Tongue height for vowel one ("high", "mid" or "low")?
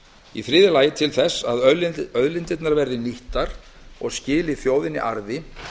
high